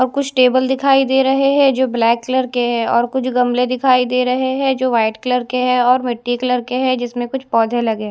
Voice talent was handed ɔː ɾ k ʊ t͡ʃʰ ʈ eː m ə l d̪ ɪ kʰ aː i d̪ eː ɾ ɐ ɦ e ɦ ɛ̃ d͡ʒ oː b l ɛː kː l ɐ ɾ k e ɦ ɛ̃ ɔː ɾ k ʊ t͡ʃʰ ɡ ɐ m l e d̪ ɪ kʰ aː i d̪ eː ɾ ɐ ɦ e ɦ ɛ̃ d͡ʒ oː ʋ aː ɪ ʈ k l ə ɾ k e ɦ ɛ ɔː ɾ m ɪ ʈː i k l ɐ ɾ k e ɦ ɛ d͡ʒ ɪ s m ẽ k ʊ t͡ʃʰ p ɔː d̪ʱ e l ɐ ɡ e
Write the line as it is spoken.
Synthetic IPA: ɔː ɾ k ʊ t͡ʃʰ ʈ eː b ə l d̪ ɪ kʰ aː i d̪ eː ɾ ɐ ɦ e ɦ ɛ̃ d͡ʒ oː b l ɛː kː l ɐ ɾ k e ɦ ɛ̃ ɔː ɾ k ʊ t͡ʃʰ ɡ ɐ m l e d̪ ɪ kʰ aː i d̪ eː ɾ ɐ ɦ e ɦ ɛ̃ d͡ʒ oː ʋ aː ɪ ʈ k l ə ɾ k e ɦ ɛ ɔː ɾ m ɪ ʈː i k l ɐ ɾ k e ɦ ɛ d͡ʒ ɪ s m ẽ k ʊ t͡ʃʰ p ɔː d̪ʱ e l ɐ ɡ e

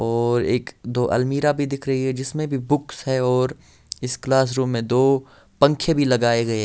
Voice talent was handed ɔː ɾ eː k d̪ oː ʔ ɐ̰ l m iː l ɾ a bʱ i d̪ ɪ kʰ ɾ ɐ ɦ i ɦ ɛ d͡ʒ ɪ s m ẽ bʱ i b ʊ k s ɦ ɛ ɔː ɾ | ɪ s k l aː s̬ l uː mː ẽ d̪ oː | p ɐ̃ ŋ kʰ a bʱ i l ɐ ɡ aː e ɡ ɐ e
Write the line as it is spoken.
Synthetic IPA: ɔː ɾ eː k d̪ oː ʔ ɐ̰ l m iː ɾ a bʱ i d̪ ɪ kʰ ɾ ɐ ɦ i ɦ ɛ d͡ʒ ɪ s m ẽ bʱ i b ʊ k s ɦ ɛ ɔː ɾ | ɪ s k l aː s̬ ɾ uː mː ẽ d̪ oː | p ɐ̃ ŋ kʰ e bʱ i l ɐ ɡ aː e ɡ ɐ e

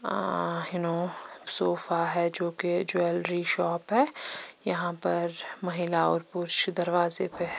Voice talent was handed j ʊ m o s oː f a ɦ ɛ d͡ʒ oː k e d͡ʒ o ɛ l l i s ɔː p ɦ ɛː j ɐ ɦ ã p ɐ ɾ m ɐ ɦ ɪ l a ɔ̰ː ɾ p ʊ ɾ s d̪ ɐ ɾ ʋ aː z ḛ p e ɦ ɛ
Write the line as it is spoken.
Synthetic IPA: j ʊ n o s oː f a ɦ ɛ d͡ʒ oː k e d͡ʒ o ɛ l ɾ i ʃ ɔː p ɦ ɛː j ɐ ɦ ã p ɐ ɾ m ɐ ɦ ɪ l a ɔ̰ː ɾ p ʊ ɾ ʃ d̪ ɐ ɾ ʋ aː z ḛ p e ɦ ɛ

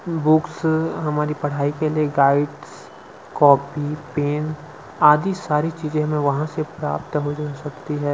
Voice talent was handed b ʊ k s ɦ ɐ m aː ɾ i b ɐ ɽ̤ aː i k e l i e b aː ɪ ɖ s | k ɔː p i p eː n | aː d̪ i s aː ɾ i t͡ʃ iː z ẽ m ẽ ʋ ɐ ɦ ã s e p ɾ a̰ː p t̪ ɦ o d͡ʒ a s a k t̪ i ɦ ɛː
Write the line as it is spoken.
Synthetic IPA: b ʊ k s ɦ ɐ m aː ɾ i p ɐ ɽ̤ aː i k e l i e ɡ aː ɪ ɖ s | k ɔː p i p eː n | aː d̪ i s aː ɾ i t͡ʃ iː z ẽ m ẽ ʋ ɐ ɦ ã s e p ɾ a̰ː p t̪ ɦ o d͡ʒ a s ɐ k t̪ i ɦ ɛː

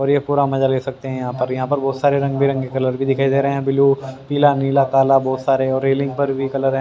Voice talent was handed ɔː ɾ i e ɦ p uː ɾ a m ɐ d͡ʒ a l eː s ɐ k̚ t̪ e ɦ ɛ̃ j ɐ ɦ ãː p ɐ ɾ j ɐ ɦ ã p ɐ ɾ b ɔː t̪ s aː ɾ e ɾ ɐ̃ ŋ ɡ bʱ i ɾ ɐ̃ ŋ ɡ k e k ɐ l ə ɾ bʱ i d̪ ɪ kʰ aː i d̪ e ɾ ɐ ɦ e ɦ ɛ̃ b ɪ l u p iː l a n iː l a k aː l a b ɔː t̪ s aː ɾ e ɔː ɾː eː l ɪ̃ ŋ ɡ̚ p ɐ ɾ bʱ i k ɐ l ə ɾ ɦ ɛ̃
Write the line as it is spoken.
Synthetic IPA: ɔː ɾ j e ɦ p uː ɾ a m ɐ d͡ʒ a l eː s ɐ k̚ t̪ e ɦ ɛ̃ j ɐ ɦ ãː p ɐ ɾ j ɐ ɦ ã p ɐ ɾ b ɔː t̪ s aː ɾ e ɾ ɐ̃ ŋ ɡ bʱ i ɾ ɐ̃ ŋ ɡ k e k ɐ l ə ɾ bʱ i d̪ ɪ kʰ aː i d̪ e ɾ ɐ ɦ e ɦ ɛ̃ b ɪ l u p iː l a n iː l a k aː l a b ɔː t̪ s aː ɾ e ɔː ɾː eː l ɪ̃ ŋ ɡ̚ p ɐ ɾ bʱ i k ɐ l ə ɾ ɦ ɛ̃

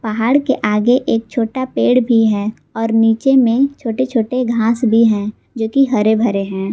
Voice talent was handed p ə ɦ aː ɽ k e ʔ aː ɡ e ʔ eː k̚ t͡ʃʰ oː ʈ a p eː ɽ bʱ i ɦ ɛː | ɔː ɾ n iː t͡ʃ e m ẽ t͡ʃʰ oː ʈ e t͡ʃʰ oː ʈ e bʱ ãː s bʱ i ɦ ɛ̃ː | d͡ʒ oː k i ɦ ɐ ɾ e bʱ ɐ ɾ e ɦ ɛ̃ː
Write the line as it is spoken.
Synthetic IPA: p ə ɦ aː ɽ k e ʔ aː ɡ e ʔ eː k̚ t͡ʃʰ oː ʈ a p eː ɽ bʱ i ɦ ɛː | ɔː ɾ n iː t͡ʃ e m ẽ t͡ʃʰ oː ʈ e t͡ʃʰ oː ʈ e ɡʱ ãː s bʱ i ɦ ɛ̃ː | d͡ʒ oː k i ɦ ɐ ɾ e bʱ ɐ ɾ e ɦ ɛ̃ː

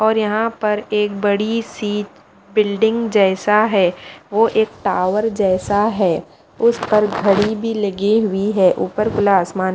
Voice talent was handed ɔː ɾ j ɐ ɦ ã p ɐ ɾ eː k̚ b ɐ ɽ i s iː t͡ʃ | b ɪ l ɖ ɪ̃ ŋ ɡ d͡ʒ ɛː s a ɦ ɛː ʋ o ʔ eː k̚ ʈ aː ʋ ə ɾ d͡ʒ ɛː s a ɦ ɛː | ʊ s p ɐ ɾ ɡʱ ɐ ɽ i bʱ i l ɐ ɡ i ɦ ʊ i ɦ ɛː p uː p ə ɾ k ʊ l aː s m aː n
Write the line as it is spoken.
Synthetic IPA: ɔː ɾ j ɐ ɦ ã p ɐ ɾ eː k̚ b ɐ ɽ i s iː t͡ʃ | b ɪ l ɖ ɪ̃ ŋ ɡ d͡ʒ ɛː s a ɦ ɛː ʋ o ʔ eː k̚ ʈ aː ʋ ə ɾ d͡ʒ ɛː s a ɦ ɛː | ʊ s p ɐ ɾ ɡʱ ɐ ɽ i bʱ i l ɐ ɡ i ɦ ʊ i ɦ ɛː ʔ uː p ə ɾ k ʊ l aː s m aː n

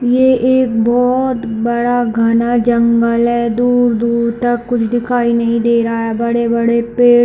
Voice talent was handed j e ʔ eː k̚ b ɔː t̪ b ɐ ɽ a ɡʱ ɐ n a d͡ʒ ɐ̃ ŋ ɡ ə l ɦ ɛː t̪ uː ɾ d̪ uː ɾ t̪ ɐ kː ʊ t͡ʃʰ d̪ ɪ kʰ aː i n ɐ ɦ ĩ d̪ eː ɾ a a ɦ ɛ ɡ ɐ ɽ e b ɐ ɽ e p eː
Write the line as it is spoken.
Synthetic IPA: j e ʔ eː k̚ b ɔː t̪ b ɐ ɽ a ɡʱ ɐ n a d͡ʒ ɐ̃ ŋ ɡ ə l ɦ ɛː d̪ uː ɾ d̪ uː ɾ t̪ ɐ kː ʊ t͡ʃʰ d̪ ɪ kʰ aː i n ɐ ɦ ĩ d̪ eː ɾ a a ɦ ɛ b ɐ ɽ e b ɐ ɽ e p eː

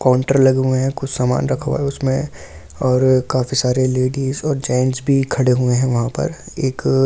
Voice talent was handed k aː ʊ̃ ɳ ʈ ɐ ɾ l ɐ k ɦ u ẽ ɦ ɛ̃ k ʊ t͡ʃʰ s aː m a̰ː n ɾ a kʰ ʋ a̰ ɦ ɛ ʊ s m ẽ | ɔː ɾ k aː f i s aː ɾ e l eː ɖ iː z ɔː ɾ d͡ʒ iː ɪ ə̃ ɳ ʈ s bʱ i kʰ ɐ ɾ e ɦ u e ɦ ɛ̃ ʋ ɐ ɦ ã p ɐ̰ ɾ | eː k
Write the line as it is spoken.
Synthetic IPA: k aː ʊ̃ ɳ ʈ ə ɾ l ɐ ɡ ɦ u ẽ ɦ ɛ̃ k ʊ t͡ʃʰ s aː m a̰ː n ɾ ɐ kʰ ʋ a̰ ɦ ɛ ʊ s m ẽ | ɔː ɾ k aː f i s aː ɾ e l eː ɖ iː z ɔː ɾ d͡ʒ aː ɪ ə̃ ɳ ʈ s bʱ i kʰ ɐ ɽ e ɦ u e ɦ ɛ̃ ʋ ɐ ɦ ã p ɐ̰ ɾ | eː k

